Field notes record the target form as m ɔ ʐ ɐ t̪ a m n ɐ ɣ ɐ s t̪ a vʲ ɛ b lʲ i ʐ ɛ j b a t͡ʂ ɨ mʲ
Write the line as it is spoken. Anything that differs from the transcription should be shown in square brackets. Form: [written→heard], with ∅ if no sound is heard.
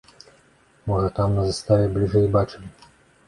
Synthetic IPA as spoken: m ɔ ʐ ɐ t̪ a m n ɐ [ɣ→z] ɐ s t̪ a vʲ ɛ b lʲ i ʐ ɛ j b a t͡ʂ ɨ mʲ